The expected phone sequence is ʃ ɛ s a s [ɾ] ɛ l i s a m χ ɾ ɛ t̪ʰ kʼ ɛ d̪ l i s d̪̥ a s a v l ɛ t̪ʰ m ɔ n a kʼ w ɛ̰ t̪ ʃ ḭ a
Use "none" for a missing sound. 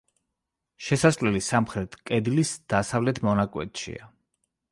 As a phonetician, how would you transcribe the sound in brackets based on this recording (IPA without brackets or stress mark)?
l